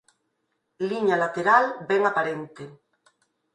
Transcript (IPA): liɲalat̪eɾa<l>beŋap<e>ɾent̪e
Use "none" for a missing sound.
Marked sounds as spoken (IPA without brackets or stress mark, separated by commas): l, a